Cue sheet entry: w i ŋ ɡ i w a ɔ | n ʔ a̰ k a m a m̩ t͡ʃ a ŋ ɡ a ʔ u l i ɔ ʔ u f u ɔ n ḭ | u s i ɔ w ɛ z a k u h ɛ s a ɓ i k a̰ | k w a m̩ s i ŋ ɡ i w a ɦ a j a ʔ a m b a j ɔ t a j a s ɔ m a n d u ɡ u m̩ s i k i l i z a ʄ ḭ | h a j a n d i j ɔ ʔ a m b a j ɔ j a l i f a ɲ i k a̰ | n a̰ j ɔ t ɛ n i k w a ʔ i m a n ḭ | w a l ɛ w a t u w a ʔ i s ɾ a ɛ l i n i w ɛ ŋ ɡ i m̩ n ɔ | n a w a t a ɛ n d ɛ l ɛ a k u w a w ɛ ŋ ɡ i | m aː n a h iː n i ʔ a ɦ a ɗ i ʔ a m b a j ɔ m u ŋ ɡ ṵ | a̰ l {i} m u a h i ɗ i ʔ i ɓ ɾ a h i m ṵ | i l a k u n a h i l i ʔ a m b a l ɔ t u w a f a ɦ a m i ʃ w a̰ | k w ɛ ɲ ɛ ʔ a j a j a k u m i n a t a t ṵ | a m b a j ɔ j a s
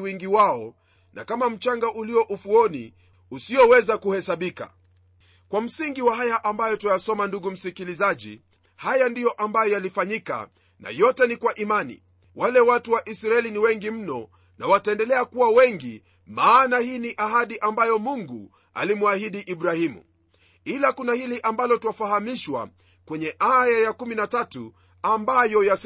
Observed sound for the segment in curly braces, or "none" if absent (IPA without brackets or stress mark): i